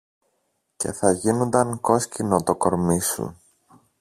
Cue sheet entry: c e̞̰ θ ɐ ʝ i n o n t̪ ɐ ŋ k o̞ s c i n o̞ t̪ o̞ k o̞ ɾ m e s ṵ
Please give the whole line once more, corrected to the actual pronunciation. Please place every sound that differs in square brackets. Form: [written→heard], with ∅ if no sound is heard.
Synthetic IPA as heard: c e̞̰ θ ɐ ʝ i n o n [t̪→d̪] ɐ ŋ k o̞ s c i n o̞ t̪ o̞ k o̞ ɾ m [e→i] s ṵ